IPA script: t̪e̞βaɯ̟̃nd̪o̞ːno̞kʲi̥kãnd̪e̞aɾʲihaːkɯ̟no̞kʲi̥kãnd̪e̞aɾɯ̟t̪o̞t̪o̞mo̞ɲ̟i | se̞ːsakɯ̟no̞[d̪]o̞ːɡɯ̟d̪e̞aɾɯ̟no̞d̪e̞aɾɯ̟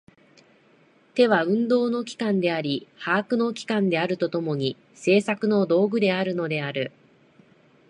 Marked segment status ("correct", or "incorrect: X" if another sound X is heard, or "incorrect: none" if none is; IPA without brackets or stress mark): correct